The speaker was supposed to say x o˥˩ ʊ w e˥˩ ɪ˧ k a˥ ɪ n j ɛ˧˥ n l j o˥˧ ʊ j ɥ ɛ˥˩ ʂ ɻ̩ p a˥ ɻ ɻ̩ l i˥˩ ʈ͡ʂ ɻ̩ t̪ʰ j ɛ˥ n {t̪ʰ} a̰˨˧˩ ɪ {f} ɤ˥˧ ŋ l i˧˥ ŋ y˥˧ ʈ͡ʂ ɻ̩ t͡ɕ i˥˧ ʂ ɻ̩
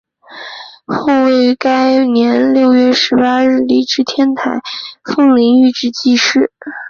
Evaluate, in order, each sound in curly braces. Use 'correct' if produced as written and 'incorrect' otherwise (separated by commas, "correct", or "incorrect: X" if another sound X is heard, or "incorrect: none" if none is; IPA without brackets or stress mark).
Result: correct, correct